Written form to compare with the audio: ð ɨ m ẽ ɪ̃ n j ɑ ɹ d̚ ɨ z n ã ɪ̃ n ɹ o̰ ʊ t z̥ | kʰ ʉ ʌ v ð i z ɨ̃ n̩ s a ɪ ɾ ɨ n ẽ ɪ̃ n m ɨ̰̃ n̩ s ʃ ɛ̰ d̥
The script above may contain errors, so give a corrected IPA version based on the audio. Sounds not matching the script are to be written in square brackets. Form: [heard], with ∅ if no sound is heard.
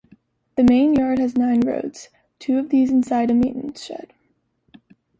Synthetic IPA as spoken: ð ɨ m ẽ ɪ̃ n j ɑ ɹ d̚ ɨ z n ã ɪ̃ n ɹ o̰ ʊ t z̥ | [tʰ] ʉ ʌ v ð i z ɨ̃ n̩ s a ɪ ɾ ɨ [m] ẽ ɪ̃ n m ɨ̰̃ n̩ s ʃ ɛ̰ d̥